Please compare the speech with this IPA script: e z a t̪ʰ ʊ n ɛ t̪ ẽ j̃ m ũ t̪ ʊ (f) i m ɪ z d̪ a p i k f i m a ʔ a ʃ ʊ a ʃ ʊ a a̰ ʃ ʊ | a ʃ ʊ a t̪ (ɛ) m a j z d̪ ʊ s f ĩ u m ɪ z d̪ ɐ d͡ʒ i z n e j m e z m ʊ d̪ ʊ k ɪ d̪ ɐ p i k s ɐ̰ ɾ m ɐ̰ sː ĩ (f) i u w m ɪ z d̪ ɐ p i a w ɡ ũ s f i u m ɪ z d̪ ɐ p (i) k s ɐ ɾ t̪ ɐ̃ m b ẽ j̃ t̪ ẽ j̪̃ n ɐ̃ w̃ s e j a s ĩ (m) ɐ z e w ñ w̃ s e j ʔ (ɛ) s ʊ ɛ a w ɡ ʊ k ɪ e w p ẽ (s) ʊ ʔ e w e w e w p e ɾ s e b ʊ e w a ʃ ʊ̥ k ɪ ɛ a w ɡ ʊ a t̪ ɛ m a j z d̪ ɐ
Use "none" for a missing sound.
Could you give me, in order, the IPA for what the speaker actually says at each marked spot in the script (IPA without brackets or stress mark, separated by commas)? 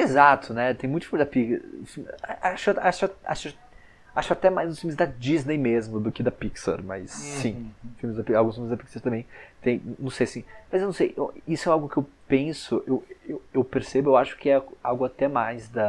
f, ɛ, f, i, m, i, s